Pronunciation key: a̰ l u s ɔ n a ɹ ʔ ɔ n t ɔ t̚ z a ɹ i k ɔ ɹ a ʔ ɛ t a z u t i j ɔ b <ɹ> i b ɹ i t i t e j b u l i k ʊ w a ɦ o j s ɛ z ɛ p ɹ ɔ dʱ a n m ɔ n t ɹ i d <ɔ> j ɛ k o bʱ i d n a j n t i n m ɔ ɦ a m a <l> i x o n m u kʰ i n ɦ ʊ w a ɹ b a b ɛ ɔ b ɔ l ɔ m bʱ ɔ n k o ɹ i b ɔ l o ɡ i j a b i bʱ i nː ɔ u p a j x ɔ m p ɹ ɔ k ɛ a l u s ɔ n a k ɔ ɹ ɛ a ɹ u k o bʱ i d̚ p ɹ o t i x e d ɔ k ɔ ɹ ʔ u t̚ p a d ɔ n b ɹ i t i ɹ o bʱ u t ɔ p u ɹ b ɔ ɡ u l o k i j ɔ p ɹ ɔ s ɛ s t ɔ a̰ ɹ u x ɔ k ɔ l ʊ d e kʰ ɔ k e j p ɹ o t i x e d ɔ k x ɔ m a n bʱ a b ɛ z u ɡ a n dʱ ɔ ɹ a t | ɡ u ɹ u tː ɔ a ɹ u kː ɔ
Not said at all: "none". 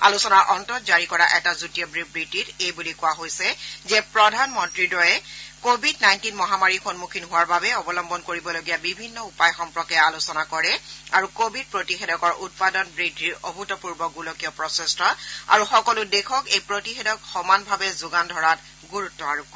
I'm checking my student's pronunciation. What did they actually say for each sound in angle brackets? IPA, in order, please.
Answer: ɹ, ɔ, ɹ

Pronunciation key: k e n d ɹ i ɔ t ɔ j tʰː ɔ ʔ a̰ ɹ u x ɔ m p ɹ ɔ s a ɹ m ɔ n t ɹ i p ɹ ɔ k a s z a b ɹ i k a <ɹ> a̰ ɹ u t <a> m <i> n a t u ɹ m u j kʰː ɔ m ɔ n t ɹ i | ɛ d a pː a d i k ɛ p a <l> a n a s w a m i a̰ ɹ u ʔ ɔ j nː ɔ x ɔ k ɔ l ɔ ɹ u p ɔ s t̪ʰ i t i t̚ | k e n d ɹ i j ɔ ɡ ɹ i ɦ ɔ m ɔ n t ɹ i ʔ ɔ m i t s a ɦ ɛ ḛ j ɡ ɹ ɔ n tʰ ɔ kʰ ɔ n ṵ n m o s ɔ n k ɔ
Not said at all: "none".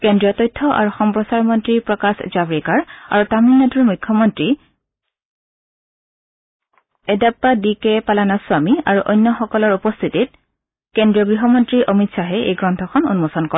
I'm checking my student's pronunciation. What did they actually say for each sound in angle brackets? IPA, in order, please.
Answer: ɹ, a, i, l

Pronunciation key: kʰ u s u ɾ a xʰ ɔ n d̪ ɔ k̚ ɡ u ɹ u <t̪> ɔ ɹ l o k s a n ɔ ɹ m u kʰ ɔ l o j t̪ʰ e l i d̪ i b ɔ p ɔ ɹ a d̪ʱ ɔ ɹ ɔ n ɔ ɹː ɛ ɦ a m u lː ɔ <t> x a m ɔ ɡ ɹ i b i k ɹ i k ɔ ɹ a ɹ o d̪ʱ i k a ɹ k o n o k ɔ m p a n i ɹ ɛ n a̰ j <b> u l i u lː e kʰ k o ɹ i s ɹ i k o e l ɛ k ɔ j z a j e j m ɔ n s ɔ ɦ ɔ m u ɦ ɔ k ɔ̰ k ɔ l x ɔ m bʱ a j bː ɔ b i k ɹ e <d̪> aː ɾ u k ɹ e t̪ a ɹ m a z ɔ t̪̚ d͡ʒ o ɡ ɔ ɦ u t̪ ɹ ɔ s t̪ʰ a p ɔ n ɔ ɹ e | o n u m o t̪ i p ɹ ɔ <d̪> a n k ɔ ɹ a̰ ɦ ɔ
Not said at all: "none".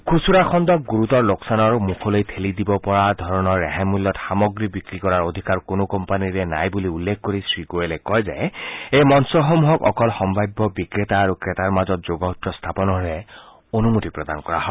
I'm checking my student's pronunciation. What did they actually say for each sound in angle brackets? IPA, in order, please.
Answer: t̪, t, b, t̪, d̪

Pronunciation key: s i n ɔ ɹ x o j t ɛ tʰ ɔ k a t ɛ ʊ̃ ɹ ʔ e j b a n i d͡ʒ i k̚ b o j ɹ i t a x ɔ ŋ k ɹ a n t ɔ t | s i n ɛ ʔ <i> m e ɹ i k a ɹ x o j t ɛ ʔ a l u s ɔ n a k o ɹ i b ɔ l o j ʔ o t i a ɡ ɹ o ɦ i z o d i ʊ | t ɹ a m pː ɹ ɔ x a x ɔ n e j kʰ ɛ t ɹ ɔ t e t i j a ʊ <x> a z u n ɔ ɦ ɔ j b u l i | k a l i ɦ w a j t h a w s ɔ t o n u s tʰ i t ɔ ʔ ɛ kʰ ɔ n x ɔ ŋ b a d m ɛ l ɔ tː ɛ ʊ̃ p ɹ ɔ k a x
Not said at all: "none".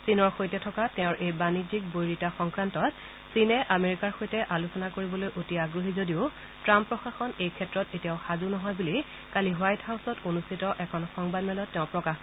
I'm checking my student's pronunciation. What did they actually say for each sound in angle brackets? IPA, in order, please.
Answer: a, x

